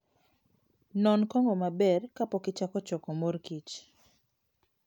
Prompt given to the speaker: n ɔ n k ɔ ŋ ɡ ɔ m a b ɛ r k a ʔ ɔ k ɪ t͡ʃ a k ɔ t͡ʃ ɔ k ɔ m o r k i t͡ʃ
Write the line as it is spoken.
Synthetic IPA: n ɔ n k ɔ ŋ ɡ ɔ m a b ɛ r k a p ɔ k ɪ t͡ʃ a k ɔ t͡ʃ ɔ k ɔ m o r k i t͡ʃ